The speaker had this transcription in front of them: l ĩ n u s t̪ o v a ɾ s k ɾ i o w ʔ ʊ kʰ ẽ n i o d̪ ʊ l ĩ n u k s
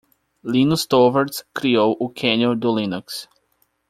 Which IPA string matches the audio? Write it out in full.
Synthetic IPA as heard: l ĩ n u s t̪ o v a ɾ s k ɾ i o w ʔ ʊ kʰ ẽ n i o d̪ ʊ l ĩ n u k s